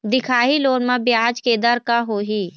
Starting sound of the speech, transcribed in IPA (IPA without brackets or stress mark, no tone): d̪